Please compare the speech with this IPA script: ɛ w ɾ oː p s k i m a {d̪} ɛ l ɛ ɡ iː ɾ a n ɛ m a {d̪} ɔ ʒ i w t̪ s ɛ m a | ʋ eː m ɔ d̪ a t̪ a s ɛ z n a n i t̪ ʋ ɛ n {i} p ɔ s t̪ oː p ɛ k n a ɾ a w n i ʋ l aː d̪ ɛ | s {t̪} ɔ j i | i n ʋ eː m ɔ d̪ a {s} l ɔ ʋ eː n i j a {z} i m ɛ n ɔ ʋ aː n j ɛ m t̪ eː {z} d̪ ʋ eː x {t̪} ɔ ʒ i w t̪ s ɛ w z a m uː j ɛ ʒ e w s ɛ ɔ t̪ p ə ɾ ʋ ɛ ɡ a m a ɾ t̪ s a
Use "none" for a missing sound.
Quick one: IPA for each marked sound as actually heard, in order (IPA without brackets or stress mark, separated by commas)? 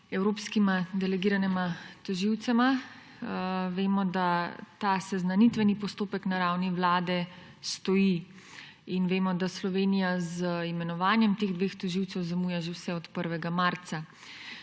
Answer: d̪, t̪, i, t̪, s, z, ɣ, t̪